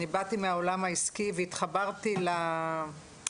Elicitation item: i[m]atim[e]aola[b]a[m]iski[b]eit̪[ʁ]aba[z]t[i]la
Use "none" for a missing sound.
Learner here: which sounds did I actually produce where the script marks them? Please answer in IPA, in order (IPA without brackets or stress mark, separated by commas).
b, e, m, none, v, χ, ʁ, i